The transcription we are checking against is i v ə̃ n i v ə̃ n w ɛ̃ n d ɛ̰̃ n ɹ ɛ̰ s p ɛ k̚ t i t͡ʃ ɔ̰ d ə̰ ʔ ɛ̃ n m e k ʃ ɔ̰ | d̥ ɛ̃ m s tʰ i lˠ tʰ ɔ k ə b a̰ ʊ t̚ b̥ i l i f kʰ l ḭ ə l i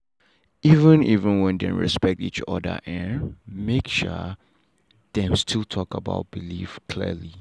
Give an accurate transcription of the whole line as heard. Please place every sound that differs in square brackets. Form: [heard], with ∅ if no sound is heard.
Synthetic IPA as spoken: i v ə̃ n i v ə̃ n w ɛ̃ n d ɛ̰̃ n ɹ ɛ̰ s p ɛ k̚ t i t͡ʃ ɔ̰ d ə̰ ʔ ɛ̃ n m e k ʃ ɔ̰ | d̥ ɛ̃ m s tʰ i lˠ tʰ ɔ k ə b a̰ ʊ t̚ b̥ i l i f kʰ l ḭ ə l i